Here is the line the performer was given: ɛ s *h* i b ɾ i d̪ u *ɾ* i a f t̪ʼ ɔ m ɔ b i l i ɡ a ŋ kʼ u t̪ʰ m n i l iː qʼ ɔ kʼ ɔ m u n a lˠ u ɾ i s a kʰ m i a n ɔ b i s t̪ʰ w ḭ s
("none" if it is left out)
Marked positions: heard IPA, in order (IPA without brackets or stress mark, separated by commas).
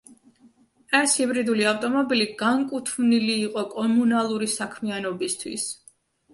h, l